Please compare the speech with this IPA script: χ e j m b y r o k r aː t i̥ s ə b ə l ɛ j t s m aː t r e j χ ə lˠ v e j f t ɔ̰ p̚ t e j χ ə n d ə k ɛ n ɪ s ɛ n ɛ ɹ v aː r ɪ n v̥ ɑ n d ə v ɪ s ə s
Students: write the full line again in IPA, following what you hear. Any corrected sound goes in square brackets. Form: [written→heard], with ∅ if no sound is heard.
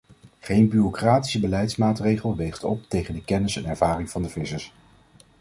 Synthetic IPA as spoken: χ e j [m→n] b y r o k r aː t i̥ s ə b ə l ɛ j t s m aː t r e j χ ə lˠ [v→ʋ] e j [f→χ] t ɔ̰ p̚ t e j χ ə n d ə k ɛ n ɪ s ɛ n ɛ ɹ v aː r ɪ [n→ŋ] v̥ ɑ n d ə v ɪ s ə s